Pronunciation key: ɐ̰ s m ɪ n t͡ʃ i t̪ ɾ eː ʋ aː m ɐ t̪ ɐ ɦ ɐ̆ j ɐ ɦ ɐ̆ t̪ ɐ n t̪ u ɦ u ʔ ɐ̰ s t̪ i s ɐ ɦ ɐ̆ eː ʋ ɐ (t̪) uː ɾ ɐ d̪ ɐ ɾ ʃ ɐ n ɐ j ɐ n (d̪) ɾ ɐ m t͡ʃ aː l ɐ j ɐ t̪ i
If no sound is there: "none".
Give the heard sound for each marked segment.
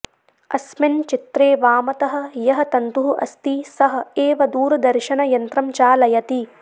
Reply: d̪, t̪

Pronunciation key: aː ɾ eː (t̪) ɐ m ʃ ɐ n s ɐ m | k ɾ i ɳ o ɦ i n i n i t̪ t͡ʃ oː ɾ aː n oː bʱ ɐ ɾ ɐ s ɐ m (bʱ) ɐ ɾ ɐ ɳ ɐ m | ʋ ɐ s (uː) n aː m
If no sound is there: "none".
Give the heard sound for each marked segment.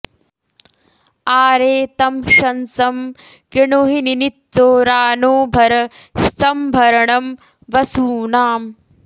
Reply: t̪, bʱ, uː

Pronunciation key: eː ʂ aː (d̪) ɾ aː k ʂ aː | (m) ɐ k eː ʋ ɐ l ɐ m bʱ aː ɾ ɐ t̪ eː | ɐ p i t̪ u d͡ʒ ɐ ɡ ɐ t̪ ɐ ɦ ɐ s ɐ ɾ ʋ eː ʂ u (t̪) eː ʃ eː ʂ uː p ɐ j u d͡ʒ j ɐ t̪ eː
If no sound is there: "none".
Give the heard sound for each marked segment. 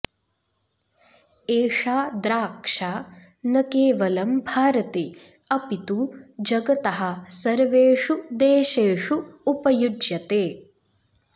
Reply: d̪, n, d̪

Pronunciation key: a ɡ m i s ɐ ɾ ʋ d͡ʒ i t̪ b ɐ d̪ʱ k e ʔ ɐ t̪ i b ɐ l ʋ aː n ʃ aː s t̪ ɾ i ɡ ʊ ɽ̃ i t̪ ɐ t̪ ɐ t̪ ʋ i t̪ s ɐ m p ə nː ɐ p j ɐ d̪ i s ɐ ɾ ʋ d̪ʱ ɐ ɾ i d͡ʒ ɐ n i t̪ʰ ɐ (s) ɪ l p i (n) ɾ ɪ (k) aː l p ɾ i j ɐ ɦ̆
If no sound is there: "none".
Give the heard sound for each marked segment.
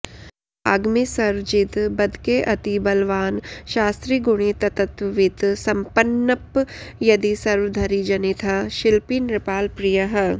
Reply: ʃ, n, p

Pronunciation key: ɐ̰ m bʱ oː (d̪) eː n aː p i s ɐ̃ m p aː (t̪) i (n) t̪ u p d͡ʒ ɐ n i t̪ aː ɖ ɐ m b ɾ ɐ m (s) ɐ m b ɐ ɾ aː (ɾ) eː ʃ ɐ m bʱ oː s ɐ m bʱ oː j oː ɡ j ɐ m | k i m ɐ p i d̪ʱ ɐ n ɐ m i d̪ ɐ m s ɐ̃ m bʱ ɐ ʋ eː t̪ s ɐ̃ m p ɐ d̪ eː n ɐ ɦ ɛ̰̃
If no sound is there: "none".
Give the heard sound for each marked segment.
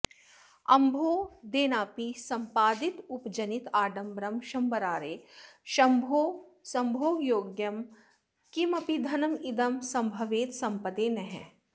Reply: d̪, d̪, none, ʃ, ɾ

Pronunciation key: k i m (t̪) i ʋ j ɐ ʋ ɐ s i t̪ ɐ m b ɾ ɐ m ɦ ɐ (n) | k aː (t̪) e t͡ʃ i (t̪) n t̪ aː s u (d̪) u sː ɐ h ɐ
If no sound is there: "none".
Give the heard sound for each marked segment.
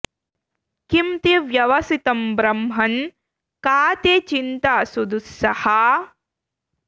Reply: t̪, n, t̪, none, d̪

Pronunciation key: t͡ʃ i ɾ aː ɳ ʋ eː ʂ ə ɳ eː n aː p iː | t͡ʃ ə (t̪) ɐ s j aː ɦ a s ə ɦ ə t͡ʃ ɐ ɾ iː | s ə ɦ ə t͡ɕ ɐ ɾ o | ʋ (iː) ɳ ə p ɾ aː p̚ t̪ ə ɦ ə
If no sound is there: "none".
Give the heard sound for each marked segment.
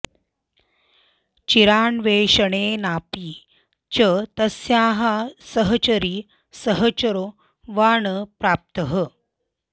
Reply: t̪, aː

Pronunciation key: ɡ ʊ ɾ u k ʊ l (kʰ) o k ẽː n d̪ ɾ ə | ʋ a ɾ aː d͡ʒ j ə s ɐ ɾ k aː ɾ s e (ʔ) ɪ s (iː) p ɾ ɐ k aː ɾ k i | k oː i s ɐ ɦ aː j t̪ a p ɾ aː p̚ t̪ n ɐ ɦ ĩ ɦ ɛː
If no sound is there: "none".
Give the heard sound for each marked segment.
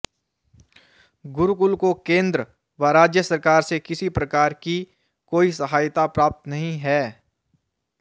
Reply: k, k, i

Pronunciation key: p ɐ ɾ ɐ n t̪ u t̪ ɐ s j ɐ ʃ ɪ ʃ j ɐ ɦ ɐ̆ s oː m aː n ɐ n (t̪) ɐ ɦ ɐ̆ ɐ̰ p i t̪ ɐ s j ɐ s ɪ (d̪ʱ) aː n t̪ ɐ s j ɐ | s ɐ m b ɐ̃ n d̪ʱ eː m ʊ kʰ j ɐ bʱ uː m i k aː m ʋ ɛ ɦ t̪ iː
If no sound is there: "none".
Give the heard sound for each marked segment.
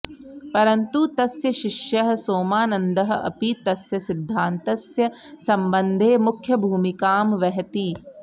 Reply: d̪, d̪ʱː

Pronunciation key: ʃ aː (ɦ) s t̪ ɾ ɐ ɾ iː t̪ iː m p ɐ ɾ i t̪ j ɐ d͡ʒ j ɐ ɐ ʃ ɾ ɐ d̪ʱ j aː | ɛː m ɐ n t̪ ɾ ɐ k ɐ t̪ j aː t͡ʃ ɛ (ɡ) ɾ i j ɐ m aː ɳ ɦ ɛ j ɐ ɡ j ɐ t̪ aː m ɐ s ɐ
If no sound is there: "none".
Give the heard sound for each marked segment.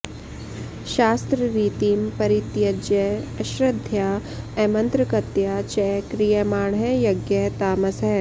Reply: none, k

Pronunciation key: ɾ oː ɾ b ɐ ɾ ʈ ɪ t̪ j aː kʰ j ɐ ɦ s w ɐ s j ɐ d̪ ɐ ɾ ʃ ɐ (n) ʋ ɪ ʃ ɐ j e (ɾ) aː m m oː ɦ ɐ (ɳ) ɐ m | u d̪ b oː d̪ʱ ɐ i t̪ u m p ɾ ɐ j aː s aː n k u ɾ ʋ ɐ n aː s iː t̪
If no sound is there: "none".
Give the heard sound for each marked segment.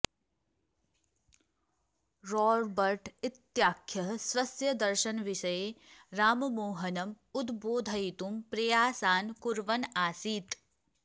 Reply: n, ɾ, n

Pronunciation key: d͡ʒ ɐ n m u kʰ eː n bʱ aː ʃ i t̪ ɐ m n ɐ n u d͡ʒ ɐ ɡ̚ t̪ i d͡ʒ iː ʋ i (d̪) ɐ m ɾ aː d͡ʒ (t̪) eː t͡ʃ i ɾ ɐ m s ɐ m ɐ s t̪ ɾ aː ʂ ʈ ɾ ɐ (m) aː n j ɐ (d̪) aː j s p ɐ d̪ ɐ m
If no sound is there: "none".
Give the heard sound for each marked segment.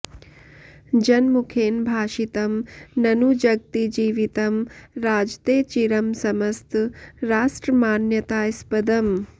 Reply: t̪, t̪, m, t̪

